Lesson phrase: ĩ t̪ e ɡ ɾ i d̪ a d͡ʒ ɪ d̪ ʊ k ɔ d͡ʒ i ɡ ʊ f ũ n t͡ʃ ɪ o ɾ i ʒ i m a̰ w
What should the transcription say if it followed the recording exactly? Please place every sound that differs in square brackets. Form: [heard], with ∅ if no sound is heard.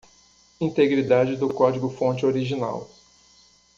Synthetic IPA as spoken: ĩ t̪ e ɡ ɾ i d̪ a d͡ʒ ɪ d̪ ʊ k ɔ d͡ʒ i ɡ ʊ f [õ] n t͡ʃ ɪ o ɾ i ʒ i [n] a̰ w